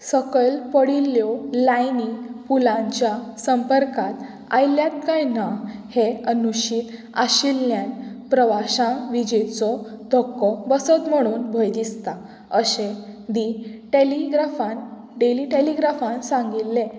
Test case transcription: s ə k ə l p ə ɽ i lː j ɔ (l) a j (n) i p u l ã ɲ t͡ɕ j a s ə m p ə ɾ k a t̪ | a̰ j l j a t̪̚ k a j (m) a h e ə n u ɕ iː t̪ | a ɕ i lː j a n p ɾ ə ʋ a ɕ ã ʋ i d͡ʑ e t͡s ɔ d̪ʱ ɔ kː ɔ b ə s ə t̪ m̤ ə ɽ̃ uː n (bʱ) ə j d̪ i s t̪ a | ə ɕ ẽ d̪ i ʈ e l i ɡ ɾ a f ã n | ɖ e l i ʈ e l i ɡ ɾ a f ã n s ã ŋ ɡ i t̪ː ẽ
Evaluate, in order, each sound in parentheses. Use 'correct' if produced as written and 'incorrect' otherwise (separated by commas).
correct, correct, incorrect, correct